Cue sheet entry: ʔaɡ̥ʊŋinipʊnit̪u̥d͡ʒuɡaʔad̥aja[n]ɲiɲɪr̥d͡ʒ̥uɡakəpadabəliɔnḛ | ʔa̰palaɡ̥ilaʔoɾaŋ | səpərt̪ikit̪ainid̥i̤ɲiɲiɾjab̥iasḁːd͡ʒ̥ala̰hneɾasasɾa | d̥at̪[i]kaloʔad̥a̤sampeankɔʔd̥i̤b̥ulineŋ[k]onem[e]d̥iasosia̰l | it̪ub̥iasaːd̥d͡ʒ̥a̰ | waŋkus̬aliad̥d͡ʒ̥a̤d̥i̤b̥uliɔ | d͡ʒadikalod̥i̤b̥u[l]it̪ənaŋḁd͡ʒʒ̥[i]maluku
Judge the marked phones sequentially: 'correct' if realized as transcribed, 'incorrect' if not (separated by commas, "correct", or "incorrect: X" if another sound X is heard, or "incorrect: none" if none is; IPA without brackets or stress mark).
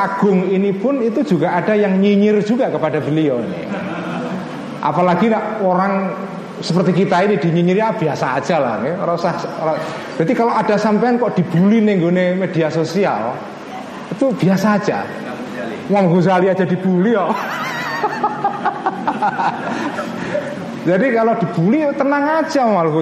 incorrect: ŋ, correct, incorrect: ɡ, correct, correct, incorrect: a